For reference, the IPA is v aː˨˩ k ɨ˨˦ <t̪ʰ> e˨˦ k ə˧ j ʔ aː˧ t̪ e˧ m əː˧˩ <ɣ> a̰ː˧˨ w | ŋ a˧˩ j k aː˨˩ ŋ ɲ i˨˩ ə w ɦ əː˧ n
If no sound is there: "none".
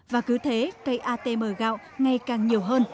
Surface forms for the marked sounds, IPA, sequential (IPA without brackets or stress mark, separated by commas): t̪ʰ, ɣ